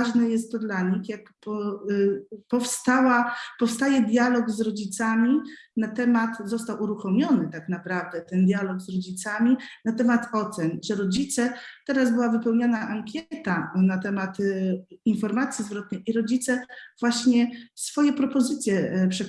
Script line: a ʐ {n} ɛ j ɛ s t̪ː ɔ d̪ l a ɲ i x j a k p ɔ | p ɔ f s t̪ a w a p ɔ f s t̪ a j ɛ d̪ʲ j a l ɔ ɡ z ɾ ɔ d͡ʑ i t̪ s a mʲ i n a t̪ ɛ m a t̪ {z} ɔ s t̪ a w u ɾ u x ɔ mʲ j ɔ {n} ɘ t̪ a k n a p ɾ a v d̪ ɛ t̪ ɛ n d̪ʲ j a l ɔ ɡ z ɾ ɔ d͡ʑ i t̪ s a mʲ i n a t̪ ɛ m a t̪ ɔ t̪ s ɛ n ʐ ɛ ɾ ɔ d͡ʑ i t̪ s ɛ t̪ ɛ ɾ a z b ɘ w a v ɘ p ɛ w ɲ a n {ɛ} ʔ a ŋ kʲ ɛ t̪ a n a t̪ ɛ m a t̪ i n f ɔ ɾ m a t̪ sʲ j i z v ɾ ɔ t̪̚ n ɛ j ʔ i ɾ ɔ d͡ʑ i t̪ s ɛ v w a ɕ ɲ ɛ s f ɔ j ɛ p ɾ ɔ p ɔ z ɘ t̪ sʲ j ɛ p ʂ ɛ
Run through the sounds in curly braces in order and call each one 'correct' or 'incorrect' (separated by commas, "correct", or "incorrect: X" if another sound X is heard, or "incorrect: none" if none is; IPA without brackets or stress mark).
correct, correct, correct, incorrect: a